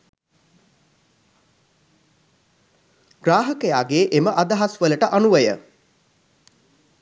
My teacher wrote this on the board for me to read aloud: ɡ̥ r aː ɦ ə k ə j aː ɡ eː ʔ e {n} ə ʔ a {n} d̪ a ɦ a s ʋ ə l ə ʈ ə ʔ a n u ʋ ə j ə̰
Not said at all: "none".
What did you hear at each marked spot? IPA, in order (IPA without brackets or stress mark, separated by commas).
m, none